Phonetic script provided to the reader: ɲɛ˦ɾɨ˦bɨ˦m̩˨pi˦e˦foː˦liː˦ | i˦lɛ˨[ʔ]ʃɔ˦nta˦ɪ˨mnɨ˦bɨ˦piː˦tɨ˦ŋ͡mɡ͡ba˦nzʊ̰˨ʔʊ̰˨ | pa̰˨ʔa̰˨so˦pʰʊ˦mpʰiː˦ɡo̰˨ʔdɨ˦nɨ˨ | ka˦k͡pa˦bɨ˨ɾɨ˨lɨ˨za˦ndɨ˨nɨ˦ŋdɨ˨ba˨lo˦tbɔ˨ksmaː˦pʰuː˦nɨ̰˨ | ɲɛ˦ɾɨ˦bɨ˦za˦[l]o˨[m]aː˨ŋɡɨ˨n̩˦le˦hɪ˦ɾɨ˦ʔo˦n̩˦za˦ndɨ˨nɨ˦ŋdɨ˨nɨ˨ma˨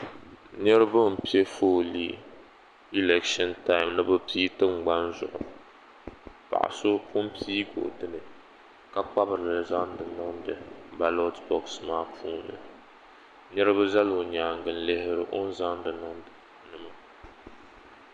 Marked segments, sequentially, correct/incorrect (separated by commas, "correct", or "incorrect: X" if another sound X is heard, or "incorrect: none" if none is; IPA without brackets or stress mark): incorrect: k, correct, incorrect: ɲ